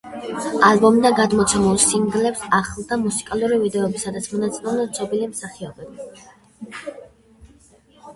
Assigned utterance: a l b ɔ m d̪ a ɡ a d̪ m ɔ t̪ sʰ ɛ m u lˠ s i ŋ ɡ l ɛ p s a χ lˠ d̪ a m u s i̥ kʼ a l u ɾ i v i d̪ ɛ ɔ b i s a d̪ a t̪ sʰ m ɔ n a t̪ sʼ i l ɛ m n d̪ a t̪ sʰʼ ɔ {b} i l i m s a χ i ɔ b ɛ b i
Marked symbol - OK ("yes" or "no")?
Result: yes